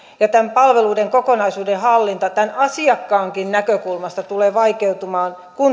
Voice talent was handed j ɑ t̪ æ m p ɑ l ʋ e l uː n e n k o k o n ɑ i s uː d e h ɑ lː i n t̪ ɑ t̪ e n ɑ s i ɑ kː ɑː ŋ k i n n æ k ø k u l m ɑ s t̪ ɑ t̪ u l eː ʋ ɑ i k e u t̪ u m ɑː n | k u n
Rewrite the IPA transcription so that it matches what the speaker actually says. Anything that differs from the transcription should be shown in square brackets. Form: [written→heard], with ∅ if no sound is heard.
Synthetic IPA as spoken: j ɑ t̪ æ m p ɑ l ʋ e l uː [n→d] e [n→ŋ] k o k o n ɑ i s uː d e h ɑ lː i n t̪ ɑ t̪ [e→æ] n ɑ s i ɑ kː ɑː ŋ k i n n æ k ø k u l m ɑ s t̪ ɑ t̪ u l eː ʋ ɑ i k e u t̪ u m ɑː n | k u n